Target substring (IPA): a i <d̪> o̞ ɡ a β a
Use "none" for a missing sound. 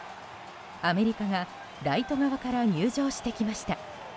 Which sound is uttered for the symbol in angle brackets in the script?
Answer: t̪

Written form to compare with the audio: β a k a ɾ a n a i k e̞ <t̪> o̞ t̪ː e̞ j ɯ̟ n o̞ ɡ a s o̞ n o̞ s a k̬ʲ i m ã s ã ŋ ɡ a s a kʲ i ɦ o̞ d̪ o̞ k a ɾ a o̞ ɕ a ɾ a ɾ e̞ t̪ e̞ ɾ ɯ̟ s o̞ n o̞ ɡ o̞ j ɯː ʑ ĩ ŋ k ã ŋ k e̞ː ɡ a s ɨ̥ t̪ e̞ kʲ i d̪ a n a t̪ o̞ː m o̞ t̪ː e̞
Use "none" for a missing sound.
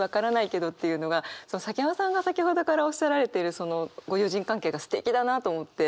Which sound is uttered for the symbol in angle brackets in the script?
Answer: d̪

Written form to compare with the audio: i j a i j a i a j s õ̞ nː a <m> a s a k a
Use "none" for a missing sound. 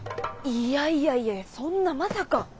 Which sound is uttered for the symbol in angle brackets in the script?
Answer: m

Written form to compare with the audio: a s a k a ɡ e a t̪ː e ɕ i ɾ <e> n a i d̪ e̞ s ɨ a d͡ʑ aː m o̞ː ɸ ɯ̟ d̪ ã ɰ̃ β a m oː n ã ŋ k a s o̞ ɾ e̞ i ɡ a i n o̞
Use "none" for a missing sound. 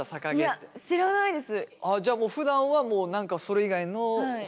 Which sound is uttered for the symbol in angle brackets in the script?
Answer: a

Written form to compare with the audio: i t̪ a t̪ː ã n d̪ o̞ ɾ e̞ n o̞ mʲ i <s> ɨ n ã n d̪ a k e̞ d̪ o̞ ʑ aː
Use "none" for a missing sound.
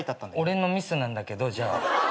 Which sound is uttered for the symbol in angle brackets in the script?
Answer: s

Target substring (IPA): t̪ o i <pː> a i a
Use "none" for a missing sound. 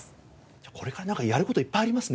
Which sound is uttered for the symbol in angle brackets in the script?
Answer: pː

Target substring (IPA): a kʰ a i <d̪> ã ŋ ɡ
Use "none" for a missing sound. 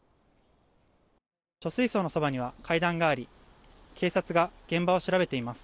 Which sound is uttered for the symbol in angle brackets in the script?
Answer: d̪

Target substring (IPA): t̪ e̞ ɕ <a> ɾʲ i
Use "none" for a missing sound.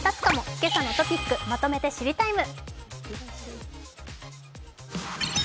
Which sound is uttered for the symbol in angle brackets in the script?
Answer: i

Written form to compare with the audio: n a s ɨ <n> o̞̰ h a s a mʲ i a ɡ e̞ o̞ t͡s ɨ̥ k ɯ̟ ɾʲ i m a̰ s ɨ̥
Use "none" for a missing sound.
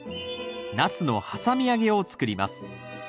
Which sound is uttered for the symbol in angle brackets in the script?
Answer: n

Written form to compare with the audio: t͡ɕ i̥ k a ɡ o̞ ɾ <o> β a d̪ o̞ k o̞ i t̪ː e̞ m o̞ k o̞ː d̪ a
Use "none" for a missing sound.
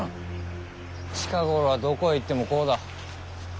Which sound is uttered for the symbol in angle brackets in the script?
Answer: o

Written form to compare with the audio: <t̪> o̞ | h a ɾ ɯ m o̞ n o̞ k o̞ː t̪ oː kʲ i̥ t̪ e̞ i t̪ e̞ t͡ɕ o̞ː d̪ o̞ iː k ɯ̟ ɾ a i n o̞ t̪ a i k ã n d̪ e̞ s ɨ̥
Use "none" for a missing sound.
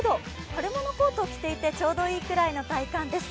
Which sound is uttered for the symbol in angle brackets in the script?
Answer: d̪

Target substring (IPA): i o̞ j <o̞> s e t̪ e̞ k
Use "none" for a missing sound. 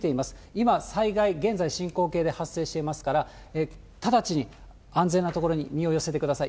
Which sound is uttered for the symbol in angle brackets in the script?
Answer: o̞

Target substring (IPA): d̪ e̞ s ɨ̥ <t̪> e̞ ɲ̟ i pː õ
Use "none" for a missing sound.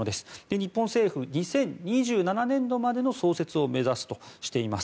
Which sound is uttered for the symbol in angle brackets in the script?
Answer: d̪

